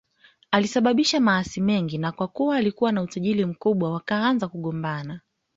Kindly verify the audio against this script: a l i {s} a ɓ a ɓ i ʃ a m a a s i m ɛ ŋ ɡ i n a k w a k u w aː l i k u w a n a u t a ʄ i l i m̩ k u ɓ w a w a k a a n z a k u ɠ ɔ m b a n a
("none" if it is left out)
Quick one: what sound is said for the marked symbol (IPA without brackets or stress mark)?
s